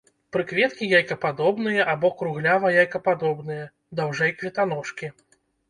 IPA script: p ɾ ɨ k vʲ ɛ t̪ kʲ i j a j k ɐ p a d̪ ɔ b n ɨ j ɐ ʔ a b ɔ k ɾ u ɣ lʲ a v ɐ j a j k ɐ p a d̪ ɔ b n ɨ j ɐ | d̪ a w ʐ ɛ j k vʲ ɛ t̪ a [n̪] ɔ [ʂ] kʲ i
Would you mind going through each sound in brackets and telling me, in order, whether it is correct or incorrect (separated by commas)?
correct, correct